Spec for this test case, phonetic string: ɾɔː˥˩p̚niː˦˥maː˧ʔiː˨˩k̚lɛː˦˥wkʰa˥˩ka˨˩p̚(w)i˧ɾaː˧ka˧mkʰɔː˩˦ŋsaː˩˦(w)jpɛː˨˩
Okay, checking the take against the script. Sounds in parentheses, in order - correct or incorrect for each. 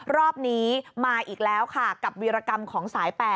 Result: correct, incorrect

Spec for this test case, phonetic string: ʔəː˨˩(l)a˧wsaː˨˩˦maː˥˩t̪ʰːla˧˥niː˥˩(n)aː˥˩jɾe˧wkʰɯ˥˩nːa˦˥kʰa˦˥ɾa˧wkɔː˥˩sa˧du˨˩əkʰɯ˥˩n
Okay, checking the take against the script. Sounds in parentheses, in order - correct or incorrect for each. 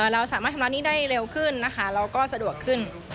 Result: incorrect, incorrect

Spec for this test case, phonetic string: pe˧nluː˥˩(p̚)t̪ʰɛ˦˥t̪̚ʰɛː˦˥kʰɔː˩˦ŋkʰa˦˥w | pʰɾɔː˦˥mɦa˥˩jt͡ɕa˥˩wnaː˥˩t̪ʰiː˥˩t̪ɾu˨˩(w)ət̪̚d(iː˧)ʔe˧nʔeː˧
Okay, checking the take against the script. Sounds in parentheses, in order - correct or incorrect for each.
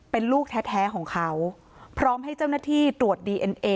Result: incorrect, incorrect, correct

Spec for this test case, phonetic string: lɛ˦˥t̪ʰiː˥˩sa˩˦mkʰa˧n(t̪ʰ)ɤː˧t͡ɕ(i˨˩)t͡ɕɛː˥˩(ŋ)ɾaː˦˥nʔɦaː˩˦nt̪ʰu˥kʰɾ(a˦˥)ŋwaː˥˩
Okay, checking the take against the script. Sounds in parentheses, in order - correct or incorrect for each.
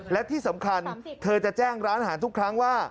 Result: correct, incorrect, correct, correct

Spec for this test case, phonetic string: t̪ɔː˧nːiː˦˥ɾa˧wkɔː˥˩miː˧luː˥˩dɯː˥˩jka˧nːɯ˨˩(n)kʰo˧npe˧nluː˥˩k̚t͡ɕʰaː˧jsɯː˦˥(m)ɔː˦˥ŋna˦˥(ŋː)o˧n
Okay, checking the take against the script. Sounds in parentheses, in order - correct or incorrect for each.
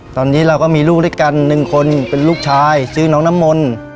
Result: incorrect, incorrect, incorrect

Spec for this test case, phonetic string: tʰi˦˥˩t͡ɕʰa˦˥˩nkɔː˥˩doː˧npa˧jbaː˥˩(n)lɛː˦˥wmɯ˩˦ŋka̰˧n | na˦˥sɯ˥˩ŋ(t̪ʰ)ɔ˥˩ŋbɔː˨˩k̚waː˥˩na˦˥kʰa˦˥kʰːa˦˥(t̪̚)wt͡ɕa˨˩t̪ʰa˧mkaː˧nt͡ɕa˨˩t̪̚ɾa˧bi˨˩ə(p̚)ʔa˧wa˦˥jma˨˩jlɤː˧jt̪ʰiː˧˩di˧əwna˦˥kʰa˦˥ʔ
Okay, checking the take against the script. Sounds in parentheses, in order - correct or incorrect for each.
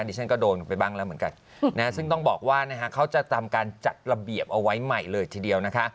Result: incorrect, incorrect, incorrect, correct

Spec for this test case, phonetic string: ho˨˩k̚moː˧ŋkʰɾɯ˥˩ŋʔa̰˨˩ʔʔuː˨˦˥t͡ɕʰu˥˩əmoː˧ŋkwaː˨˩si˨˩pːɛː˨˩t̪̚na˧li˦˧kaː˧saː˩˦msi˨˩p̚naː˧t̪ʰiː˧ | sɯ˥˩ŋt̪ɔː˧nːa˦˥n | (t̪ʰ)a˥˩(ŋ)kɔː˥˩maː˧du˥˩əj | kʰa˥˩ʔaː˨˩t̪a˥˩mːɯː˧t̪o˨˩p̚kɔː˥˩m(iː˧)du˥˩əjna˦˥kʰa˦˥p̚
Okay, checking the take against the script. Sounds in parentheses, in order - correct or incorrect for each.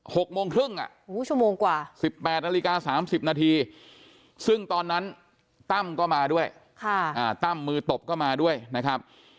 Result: incorrect, incorrect, incorrect

